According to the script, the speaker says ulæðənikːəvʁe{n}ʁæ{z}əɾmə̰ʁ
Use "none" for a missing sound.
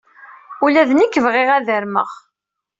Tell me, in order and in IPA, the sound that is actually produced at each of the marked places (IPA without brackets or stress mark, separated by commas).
none, ð